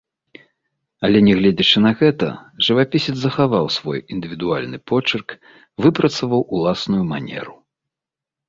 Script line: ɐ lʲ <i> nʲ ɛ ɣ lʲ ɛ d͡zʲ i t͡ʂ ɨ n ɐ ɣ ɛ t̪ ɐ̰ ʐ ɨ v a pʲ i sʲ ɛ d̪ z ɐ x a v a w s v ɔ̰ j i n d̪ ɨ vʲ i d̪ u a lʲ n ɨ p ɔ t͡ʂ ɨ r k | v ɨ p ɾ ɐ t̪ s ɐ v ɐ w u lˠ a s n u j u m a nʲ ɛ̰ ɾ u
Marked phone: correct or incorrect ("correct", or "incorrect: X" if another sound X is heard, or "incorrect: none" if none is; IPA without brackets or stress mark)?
incorrect: ɛ